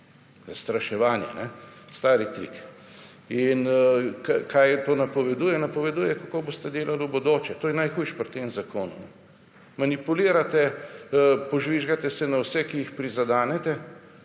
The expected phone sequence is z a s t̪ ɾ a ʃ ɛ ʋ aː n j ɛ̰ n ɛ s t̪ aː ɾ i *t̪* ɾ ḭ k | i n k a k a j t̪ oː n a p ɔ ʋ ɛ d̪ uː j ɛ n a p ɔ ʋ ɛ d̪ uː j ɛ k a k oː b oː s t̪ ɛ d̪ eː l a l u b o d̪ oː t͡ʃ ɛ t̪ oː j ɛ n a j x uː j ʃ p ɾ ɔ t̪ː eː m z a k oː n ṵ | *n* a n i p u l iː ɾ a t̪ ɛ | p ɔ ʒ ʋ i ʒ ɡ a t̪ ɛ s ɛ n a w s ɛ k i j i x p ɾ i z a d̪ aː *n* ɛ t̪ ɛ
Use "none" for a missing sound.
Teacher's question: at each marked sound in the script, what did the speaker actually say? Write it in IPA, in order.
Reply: t̪, m, n

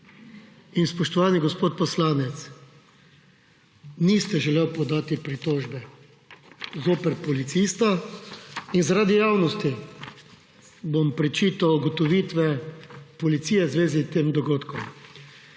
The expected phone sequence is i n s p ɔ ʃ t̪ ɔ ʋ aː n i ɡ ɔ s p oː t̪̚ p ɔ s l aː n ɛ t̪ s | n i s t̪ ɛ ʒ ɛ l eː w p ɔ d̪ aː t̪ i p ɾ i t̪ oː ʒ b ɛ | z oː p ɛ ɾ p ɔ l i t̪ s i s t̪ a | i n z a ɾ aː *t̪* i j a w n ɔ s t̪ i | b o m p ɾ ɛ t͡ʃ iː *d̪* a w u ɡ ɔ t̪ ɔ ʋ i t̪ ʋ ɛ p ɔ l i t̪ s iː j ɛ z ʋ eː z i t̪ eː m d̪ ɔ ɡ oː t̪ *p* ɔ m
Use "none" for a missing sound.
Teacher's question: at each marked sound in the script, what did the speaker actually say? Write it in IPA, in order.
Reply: d̪, t̪, k

